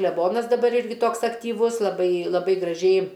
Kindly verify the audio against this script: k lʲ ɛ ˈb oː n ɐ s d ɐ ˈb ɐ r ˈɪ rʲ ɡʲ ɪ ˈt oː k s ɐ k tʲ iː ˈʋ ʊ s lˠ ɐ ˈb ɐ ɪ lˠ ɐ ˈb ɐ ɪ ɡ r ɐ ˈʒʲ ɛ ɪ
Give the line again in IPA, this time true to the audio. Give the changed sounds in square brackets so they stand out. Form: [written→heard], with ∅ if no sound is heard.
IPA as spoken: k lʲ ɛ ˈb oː n ɐ s d ɐ ˈb ɐ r ˈɪ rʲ ɡʲ ɪ ˈt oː k s ɐ k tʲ iː ˈʋ ʊ s lˠ ɐ ˈb ɐ ɪ lˠ ɐ ˈb ɐ ɪ ɡ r ɐ ˈʒʲ ɛ ɪ